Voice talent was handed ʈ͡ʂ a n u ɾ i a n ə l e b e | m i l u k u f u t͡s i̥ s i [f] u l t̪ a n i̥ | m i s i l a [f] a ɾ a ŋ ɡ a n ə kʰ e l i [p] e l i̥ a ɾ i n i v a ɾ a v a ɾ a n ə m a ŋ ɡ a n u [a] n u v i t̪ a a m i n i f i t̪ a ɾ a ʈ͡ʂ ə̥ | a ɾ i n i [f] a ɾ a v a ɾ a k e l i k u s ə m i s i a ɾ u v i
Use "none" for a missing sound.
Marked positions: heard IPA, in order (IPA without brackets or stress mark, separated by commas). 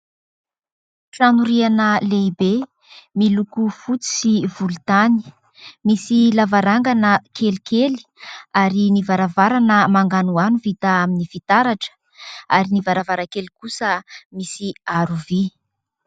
v, v, k, a, v